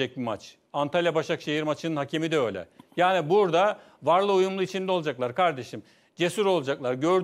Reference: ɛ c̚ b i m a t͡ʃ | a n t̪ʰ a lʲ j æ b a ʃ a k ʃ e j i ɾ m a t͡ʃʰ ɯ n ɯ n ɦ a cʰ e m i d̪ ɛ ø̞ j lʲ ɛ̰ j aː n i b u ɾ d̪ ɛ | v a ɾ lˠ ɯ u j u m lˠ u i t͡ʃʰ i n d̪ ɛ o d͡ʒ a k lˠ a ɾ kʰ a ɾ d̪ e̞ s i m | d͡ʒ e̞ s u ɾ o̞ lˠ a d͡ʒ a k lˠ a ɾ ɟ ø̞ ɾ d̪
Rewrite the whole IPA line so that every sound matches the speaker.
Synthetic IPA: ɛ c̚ b i m a t͡ʃ | a n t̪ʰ a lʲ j a b a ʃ a k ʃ e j i ɾ m a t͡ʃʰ ɯ n ɯ n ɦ a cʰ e m i d̪ ɛ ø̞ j lʲ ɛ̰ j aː n i b u ɾ d̪ a | v a ɾ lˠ ɯ u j u m lˠ u i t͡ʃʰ i n d̪ ɛ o d͡ʒ a k lˠ a ɾ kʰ a ɾ d̪ e̞ ʃ i m | d͡ʒ e̞ s u ɾ o̞ lˠ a d͡ʒ a k lˠ a ɾ ɟ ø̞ ɾ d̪